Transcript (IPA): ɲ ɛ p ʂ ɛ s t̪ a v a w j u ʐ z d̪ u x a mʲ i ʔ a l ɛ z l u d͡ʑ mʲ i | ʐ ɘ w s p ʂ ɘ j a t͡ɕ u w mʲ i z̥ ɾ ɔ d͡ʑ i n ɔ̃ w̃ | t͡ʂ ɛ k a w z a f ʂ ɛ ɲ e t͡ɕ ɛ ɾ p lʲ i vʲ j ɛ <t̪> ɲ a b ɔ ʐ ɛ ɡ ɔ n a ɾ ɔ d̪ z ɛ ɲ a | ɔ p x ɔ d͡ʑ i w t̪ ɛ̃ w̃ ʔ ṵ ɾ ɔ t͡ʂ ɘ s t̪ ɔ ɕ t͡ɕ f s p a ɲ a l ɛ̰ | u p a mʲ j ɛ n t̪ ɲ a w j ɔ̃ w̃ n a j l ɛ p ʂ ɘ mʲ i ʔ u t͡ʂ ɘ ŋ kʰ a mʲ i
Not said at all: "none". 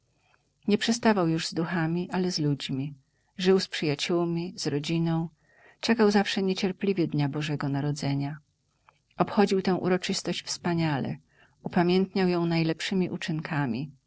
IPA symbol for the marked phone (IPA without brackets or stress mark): d̪